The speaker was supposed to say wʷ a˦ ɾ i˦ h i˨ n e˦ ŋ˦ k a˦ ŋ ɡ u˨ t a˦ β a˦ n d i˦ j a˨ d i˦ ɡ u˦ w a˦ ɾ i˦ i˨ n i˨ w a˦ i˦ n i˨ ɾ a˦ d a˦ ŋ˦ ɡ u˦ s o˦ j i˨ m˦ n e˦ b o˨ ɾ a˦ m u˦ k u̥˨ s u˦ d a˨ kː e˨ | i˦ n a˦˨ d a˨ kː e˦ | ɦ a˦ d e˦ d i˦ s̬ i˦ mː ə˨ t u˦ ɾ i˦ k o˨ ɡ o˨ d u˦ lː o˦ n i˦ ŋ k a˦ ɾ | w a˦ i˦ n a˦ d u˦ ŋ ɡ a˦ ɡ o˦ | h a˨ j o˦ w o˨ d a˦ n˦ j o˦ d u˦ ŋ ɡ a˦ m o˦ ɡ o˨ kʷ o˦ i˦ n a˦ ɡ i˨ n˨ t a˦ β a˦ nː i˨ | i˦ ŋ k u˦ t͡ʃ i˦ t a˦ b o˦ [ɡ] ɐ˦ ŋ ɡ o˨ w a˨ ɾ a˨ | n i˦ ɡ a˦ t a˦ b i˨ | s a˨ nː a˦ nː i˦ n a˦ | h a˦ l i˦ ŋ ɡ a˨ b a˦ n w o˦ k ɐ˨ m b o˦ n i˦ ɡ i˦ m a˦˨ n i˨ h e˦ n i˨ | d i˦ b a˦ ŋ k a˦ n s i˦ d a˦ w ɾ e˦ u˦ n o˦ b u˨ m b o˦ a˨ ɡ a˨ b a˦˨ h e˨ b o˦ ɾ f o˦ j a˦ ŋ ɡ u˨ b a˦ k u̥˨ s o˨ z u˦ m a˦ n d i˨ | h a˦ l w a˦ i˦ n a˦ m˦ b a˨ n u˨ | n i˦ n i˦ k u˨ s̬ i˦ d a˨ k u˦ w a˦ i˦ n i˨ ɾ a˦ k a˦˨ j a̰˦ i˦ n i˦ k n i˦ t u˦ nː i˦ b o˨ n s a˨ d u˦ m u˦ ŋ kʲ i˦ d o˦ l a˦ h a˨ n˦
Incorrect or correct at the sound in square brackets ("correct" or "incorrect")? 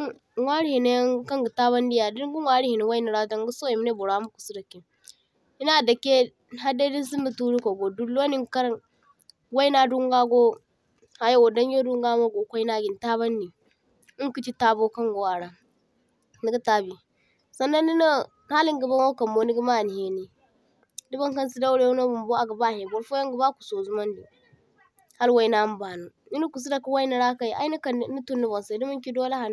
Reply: incorrect